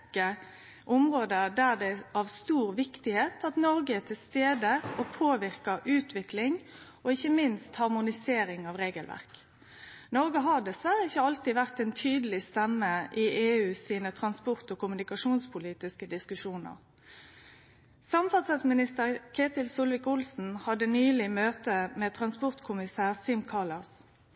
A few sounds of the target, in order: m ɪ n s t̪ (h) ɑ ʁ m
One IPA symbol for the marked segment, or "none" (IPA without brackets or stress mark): h